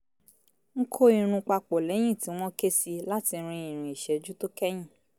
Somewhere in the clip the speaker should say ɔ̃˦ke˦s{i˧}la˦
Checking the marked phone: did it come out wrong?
no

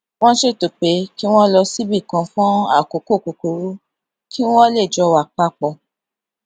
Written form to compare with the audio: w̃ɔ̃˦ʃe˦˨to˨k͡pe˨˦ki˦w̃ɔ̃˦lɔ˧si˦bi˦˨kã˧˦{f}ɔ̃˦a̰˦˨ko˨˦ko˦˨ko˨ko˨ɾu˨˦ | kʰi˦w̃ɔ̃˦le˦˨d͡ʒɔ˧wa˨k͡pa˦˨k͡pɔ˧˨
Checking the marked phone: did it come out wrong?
no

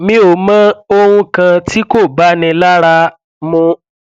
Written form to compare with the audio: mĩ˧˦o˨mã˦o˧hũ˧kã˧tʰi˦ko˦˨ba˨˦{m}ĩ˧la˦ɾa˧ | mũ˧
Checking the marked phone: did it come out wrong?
yes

